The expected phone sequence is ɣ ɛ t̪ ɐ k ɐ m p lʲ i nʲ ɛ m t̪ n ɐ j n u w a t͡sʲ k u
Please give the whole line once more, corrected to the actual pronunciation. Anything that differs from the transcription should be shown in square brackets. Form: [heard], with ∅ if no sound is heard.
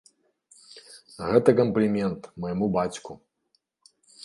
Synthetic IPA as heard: ɣ ɛ t̪ ɐ k ɐ m p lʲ i [mʲ] ɛ [n] t̪ [m] ɐ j [m] u [b] a t͡sʲ k u